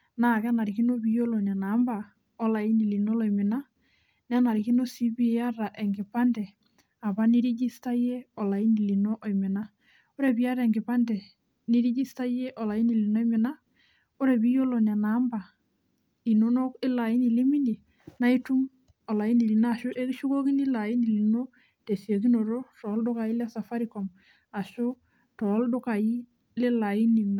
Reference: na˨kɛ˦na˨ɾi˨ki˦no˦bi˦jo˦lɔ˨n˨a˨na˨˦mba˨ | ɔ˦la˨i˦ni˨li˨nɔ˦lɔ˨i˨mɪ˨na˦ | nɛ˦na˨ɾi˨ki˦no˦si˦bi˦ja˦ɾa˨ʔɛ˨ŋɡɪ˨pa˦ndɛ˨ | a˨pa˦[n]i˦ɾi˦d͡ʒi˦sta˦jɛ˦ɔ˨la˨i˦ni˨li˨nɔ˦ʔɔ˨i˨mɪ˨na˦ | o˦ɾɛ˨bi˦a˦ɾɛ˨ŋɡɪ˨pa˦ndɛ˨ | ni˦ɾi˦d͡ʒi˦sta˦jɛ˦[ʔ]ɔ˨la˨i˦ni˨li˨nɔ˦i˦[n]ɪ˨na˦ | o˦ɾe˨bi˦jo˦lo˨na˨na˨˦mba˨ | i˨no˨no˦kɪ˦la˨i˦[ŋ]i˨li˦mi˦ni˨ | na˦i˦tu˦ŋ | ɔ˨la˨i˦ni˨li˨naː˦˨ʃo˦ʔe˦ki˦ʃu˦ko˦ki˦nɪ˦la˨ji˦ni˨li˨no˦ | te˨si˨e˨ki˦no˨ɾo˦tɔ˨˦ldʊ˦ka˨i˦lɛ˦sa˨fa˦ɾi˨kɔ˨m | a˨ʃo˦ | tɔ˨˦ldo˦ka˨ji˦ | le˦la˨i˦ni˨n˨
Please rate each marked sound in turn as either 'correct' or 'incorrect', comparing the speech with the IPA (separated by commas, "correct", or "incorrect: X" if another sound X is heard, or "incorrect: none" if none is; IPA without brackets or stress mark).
correct, correct, incorrect: m, incorrect: n